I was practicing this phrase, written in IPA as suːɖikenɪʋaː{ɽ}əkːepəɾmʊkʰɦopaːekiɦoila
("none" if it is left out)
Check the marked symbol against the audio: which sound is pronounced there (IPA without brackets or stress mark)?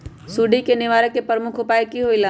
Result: ɾ